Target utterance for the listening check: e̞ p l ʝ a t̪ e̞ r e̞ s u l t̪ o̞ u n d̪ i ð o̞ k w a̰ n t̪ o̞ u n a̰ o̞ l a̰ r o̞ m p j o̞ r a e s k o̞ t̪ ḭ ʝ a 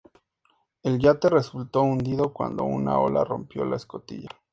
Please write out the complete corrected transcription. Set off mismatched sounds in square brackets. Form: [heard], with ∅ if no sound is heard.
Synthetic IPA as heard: e̞ [∅] l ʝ a t̪ e̞ r e̞ s u l t̪ o̞ u n d̪ i ð o̞ k w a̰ n [d̪] o̞ u n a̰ o̞ l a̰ r o̞ m p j o̞ [l] a e s k o̞ t̪ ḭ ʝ a